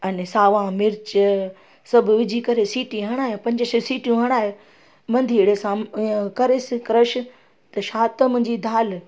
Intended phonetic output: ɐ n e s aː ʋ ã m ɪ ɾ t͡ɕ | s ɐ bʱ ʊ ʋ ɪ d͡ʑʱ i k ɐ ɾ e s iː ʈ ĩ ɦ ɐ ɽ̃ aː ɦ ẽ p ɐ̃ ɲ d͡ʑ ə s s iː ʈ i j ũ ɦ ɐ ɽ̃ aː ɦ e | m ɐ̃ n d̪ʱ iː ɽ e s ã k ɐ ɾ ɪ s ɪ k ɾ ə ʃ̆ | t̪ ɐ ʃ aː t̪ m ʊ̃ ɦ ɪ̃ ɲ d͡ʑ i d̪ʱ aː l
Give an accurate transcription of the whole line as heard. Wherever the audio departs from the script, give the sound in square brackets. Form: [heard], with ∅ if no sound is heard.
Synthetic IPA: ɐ n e s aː ʋ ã m ɪ ɾ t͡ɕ | s ɐ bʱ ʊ ʋ ɪ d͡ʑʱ i k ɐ ɾ e s iː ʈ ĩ ɦ ɐ ɽ̃ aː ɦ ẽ p ɐ̃ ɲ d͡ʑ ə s s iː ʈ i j ũ ɦ ɐ ɽ̃ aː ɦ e | m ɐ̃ n d̪ʱ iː ɽ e s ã k ɐ ɾ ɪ s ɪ k ɾ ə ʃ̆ | t̪ ɐ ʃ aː t̪ m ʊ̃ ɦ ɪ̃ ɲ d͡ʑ i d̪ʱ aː l